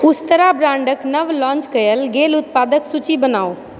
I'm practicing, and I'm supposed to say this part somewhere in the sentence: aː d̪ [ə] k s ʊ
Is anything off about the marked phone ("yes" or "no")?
no